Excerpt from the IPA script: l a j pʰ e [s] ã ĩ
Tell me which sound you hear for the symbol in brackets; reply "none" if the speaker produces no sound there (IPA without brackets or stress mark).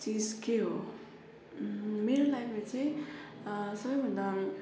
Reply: t͡s